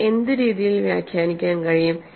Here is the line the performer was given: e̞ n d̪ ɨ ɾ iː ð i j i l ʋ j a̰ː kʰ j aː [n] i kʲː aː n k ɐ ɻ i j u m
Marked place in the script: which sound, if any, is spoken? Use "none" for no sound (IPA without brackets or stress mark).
n